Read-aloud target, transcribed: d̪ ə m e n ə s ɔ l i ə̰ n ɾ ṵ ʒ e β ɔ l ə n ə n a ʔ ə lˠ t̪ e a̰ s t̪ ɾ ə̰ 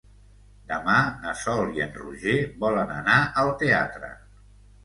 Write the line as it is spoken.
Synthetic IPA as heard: d̪ ə m a n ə s ɔ l i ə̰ n r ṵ ʒ e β ɔ l ə n ə n a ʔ ə lˠ t̪ e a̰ t̪ ɾ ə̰

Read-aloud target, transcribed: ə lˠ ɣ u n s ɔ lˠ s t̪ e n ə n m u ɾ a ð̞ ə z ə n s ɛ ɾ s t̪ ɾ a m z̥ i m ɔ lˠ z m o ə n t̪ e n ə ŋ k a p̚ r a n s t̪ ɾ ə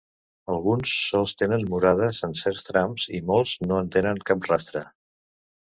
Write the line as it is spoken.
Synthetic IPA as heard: ə lˠ ɣ u n sː ɔ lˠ s t̪ e n ə n m u ɾ a ð̞ ə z ə n s ɛ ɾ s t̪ ɾ a m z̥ i m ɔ lˠ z n o ə n t̪ e n ə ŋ k a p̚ r a s t̪ ɾ ə

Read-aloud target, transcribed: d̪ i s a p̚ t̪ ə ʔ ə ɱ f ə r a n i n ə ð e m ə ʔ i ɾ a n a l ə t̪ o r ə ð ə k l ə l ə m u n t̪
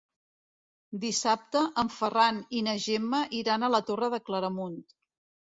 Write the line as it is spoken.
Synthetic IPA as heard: d̪ i s a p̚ t̪ ə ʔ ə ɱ f ə r a n i n ə ʒ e m ə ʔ i ɾ a n ə l ə t̪ o r ə ð ə k l ə ɾ ə m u n t̪

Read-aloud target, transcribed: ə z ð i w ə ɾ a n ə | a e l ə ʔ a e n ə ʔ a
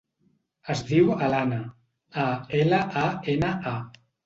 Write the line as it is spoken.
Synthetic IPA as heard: ə z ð i w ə l a n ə | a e l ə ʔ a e n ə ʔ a

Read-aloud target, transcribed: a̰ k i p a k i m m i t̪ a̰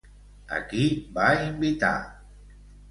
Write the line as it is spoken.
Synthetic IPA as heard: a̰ k i b a i m b i t̪ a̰

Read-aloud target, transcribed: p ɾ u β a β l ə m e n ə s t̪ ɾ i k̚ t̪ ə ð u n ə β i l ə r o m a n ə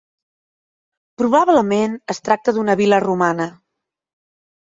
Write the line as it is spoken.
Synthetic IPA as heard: p ɾ u β a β l ə m e n ə s t̪ ɾ a k̚ t̪ ə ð u n ə β i l ə r u m a n ə

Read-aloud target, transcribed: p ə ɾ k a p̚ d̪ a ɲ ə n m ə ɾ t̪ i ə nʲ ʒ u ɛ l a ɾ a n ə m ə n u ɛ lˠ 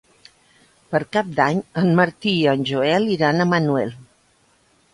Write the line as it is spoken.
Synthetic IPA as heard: p ə ɾ k a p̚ d̪ a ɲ ə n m ə ɾ t̪ i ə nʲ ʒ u ɛ l i ɾ a n ə m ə n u ɛ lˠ

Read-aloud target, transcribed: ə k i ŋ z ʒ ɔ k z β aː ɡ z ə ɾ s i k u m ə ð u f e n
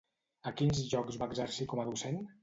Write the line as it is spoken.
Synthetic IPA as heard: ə k i n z ʒ ɔ k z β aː ɡ z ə ɾ s i k ɔ m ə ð u s e n

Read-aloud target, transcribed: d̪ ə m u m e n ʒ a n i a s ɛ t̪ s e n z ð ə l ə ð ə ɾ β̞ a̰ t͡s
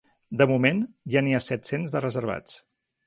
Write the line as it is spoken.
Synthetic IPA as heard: d̪ ə m u m e n ʒ a n i a s ɛ t̪ s e n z ð ə r ə z ə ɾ β̞ a̰ t͡s

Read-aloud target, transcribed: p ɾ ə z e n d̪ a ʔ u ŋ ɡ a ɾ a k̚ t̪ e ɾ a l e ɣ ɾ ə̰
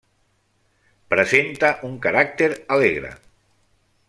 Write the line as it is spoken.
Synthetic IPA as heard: p ɾ ə z e n t̪ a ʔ u ŋ k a ɾ a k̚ t̪ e ɾ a l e ɣ ɾ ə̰

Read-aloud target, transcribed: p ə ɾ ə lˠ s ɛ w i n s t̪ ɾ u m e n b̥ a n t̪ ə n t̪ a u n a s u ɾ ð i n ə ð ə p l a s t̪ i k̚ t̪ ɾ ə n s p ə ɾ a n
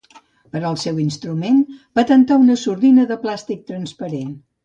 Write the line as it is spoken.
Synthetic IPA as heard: p ə ɾ ə lˠ s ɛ w i n s t̪ ɾ u m e n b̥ a t̪ ə n t̪ a u n ə s u ɾ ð i n ə ð ə p l a s t̪ i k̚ t̪ ɾ ə n s p ə ɾ e n

